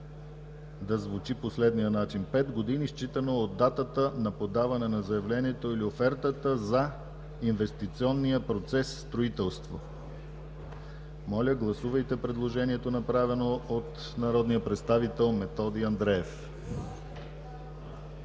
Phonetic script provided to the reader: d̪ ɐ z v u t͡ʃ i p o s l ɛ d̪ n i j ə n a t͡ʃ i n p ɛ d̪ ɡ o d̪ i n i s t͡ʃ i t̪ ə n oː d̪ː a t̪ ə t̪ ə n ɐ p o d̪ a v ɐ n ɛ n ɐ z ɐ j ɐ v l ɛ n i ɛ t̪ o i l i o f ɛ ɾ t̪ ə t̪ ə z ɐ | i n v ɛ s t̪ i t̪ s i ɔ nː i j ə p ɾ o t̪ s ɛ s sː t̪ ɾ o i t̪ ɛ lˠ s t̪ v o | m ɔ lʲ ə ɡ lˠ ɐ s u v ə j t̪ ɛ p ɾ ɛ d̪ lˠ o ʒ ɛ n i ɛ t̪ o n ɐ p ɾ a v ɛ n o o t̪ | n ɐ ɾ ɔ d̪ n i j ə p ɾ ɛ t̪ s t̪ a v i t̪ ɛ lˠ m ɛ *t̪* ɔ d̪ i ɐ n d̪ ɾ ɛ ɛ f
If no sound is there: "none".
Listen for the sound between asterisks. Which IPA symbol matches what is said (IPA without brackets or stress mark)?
t̪